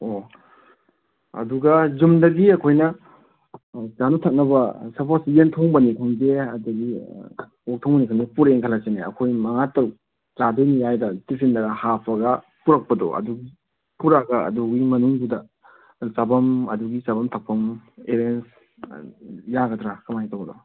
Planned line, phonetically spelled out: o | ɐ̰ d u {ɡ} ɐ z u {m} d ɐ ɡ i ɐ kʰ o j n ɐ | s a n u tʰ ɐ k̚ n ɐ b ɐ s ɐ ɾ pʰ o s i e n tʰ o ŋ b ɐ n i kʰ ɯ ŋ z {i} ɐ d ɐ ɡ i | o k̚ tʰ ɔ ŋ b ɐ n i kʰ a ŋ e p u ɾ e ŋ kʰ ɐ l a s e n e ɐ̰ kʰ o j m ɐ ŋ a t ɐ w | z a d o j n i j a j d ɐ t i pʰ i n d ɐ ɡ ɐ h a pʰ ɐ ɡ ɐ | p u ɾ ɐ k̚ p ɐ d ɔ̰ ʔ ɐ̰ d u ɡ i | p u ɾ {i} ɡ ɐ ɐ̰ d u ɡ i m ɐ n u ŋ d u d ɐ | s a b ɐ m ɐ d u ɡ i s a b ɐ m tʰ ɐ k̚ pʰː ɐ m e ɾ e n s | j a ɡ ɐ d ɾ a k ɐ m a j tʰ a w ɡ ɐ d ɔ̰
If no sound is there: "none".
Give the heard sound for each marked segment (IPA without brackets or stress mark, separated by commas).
ɡ, m, e, a